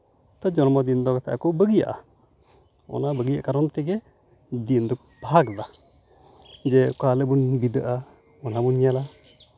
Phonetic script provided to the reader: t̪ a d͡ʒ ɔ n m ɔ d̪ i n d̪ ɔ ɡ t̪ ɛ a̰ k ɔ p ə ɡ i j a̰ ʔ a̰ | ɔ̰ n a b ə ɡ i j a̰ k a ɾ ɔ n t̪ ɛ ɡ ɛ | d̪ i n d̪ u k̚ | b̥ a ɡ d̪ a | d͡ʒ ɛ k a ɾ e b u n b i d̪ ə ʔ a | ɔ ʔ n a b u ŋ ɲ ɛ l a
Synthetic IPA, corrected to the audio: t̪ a d͡ʒ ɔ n m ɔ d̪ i n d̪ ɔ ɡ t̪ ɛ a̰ k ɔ b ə ɡ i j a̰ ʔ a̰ | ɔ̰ n a b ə ɡ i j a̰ k a ɾ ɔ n t̪ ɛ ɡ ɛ | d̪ i n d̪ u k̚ | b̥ a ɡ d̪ a | d͡ʒ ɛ k a l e b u n b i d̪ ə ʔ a | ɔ n a b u n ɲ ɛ l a